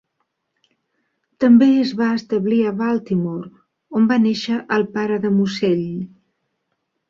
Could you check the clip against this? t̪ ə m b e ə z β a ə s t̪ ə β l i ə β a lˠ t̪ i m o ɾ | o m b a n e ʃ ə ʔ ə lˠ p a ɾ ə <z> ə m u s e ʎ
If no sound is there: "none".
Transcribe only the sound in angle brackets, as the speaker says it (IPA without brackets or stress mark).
ð